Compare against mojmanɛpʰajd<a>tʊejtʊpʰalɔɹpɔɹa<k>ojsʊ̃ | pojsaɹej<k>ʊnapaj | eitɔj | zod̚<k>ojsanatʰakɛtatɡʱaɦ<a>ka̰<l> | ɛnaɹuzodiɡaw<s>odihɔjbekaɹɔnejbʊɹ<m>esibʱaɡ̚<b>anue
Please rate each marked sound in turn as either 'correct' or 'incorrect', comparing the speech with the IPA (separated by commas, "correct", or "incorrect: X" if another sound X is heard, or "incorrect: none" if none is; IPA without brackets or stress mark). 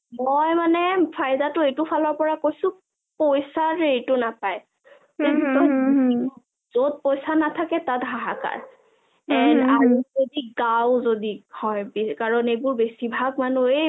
correct, correct, incorrect: t, incorrect: p, correct, incorrect: ɹ, incorrect: z, incorrect: b, incorrect: m